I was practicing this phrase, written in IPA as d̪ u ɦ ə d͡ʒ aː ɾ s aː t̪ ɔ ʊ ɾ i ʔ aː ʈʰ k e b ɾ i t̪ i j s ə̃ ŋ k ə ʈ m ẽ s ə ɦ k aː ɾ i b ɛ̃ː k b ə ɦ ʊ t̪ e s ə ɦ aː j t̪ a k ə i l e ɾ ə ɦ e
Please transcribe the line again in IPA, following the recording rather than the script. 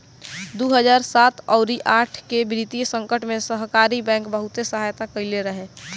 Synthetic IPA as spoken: d̪ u ɦ ə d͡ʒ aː ɾ s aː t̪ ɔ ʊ ɾ i ʔ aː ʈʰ k e b ɾ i t̪ i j s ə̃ ŋ k ə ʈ m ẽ s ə ɦ k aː ɾ i b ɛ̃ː k b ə ɦ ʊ t̪ e s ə ɦ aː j t̪ a k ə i l e ɾ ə ɦ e